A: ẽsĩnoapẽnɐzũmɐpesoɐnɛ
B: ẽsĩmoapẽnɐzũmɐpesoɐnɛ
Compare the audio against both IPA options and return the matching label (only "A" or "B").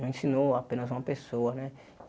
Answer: A